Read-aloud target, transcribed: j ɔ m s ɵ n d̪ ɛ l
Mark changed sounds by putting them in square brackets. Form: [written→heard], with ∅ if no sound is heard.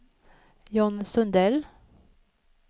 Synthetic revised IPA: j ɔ [m→n] s ɵ n d̪ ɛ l